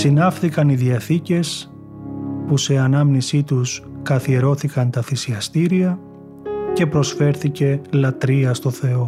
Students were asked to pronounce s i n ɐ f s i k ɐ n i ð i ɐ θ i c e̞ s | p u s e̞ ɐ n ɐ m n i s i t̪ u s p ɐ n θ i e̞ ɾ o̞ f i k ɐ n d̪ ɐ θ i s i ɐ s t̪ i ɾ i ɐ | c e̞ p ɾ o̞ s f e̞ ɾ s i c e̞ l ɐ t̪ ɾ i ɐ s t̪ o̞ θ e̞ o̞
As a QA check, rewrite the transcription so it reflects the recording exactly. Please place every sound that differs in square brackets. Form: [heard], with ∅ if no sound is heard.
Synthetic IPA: s i n ɐ f [θ] i k ɐ n i ð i ɐ θ i c e̞ s | p u s e̞ ɐ n ɐ m n i s i t̪ u s [k] ɐ [∅] θ i e̞ ɾ o̞ [θ] i k ɐ n [t̪] ɐ θ i s i ɐ s t̪ i ɾ i ɐ | c e̞ p ɾ o̞ s f e̞ ɾ [θ] i c e̞ l ɐ t̪ ɾ i ɐ s t̪ o̞ θ e̞ o̞